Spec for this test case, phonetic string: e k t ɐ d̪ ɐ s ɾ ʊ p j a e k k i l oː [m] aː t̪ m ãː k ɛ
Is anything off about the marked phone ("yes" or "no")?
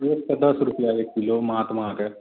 no